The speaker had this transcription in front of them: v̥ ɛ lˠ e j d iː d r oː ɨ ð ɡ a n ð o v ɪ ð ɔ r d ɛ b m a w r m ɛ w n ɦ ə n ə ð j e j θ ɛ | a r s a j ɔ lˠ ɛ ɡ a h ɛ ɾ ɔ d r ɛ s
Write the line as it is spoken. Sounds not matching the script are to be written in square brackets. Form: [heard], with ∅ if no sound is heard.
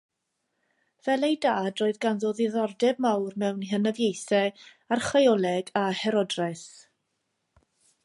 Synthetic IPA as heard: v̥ ɛ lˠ e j d [aː] d r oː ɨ ð ɡ a n ð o [ð] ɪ ð ɔ r d ɛ b m a w r m ɛ w n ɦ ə n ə [v] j e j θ ɛ | a r [χ] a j ɔ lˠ ɛ ɡ a h ɛ ɾ ɔ d r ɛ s